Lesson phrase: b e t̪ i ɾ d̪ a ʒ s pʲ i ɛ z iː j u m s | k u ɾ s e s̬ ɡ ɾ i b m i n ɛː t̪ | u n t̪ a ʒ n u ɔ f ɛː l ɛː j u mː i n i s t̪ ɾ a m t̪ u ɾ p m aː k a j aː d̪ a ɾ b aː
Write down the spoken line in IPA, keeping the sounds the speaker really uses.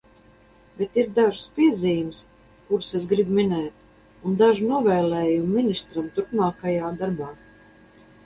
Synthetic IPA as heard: b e t̪ i ɾ d̪ a ʒ s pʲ i ɛ z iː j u m s | k u ɾ s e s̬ ɡ ɾ i b m i n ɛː t̪ | u n d̪ a ʒ n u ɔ v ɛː l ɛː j u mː i n i s t̪ ɾ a m t̪ u ɾ p m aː k a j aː d̪ a ɾ b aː